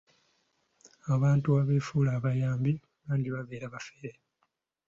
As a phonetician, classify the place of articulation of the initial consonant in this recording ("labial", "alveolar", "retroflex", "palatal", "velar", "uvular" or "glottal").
labial